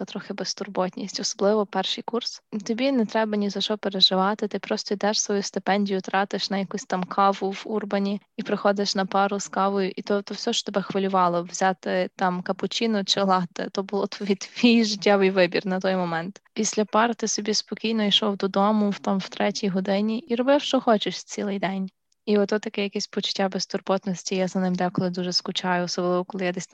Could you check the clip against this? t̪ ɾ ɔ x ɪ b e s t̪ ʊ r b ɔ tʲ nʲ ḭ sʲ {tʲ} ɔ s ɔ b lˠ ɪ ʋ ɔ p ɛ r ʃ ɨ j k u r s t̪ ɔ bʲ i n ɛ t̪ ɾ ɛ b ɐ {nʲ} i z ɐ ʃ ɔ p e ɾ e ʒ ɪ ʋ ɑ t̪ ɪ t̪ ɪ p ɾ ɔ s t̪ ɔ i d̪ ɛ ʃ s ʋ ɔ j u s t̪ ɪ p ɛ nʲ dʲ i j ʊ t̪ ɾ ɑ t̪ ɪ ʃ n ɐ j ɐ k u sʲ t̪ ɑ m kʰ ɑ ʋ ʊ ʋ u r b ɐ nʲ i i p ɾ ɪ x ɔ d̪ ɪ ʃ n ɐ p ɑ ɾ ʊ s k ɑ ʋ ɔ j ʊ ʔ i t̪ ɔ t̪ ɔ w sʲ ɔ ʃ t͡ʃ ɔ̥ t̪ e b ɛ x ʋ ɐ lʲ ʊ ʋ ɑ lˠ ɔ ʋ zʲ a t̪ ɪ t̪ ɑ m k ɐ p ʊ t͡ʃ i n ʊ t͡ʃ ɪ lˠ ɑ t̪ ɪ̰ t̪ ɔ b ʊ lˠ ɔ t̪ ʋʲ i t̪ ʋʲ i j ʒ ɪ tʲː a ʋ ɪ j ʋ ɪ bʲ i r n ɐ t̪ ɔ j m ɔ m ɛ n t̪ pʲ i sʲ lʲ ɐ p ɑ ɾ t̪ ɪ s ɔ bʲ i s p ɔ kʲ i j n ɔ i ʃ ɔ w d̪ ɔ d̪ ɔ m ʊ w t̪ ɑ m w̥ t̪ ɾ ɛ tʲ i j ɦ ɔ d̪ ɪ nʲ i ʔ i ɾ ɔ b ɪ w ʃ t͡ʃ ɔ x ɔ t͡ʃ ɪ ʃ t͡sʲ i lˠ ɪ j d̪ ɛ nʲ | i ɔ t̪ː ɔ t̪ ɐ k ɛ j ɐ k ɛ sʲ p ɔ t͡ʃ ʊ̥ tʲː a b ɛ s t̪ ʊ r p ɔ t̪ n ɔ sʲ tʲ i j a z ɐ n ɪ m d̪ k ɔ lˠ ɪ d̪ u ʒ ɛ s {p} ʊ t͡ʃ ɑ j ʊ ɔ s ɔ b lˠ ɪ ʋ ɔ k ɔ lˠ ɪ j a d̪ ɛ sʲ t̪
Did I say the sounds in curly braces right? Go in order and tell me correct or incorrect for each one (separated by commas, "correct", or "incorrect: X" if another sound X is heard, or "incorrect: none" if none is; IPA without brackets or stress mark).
correct, correct, incorrect: k